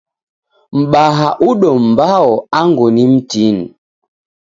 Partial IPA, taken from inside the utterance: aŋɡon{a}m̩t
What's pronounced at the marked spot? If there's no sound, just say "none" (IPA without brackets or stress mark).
i